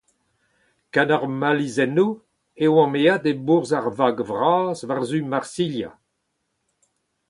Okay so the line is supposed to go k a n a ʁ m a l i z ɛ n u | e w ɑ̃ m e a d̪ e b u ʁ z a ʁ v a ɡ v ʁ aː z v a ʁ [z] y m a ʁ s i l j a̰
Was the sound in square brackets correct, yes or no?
yes